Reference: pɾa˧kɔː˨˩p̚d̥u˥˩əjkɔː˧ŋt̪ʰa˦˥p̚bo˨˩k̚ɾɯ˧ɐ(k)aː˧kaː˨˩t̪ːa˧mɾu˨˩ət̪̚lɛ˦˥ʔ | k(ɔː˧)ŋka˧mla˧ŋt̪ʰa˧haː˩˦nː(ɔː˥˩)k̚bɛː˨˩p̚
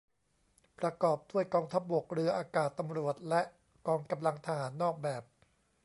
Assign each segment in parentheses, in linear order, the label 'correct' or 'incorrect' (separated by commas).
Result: incorrect, correct, correct